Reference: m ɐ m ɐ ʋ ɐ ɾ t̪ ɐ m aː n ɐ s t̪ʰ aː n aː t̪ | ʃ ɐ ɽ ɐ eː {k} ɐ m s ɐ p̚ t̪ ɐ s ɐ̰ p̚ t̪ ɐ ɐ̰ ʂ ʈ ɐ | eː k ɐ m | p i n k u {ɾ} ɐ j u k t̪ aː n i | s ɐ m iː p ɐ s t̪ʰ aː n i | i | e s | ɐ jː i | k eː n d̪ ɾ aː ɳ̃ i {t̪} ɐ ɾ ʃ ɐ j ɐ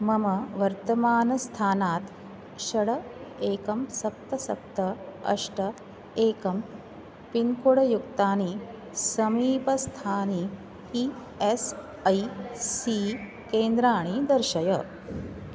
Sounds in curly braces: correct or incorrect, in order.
correct, incorrect, incorrect

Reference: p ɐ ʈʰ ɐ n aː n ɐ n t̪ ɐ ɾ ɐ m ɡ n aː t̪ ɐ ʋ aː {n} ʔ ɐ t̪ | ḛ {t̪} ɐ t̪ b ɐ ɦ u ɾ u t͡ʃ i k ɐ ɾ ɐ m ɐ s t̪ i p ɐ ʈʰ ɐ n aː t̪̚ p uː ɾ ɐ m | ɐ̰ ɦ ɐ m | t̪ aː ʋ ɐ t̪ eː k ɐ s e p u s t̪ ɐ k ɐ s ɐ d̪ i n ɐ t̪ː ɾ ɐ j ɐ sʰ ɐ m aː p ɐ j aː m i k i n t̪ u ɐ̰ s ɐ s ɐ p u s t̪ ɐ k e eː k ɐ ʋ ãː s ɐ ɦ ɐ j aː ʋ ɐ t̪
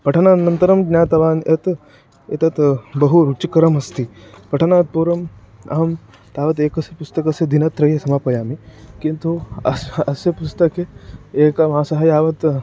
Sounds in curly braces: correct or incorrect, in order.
correct, correct

